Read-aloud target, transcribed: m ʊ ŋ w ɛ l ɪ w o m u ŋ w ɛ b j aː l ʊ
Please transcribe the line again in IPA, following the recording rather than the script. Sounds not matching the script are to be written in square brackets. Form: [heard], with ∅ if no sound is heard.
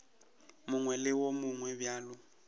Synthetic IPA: m ʊ ŋ w ɛ l ɪ w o m [ʊ] ŋ w ɛ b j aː l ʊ

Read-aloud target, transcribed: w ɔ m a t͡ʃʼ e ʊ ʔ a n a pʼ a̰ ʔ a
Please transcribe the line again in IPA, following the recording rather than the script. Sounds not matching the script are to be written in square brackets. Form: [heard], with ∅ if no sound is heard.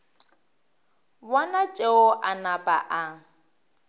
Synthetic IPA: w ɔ [n] a t͡ʃʼ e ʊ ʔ a n a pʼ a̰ ʔ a

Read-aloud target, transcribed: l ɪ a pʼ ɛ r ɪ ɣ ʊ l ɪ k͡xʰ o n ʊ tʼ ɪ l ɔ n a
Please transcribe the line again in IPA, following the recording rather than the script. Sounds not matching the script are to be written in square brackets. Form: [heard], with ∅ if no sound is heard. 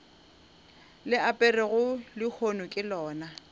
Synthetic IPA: l ɪ a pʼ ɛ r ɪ ɣ ʊ l ɪ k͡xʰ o n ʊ [kʼ] ɪ l [ɔː] n a

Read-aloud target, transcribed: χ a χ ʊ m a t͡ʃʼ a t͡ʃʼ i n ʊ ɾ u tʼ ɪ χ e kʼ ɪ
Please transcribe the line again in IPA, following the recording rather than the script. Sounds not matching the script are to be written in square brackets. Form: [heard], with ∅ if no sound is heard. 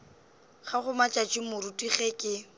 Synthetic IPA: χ a χ ʊ m a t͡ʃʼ a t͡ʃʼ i [m] ʊ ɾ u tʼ [i] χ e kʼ ɪ

